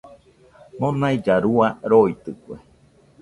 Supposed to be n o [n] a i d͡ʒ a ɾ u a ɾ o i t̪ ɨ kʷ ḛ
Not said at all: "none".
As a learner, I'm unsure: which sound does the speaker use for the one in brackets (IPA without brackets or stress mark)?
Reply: n